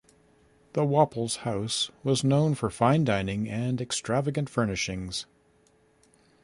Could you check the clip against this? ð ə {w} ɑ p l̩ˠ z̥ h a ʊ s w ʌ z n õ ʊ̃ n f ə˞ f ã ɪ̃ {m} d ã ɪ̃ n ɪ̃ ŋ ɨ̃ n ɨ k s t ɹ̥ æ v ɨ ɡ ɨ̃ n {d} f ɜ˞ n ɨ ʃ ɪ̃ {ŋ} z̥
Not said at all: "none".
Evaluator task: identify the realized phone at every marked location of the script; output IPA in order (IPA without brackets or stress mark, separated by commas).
w, n, t, ŋ